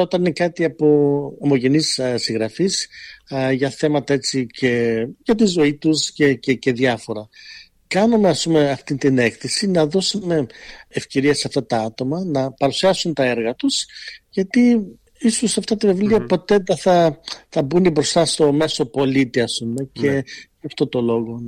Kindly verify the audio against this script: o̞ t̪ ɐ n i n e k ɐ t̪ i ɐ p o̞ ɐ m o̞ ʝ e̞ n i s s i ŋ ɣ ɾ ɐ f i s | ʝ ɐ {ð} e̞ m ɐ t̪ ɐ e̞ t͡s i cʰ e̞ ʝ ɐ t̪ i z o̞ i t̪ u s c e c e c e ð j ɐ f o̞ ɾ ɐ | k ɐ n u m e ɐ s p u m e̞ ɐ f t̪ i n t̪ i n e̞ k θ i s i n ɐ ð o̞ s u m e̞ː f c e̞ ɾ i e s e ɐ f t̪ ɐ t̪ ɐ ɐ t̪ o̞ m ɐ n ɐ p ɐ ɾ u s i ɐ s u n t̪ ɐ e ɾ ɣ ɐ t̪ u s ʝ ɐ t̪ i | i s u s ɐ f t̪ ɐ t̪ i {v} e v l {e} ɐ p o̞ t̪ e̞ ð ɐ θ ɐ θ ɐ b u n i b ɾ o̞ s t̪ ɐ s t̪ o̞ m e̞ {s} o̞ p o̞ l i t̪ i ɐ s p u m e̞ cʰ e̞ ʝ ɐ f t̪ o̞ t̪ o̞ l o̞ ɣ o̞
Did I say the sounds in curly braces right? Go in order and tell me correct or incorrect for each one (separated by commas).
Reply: incorrect, correct, incorrect, correct